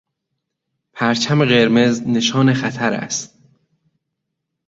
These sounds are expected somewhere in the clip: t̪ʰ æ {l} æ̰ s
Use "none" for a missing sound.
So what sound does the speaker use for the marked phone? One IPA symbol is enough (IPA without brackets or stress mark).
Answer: ɾ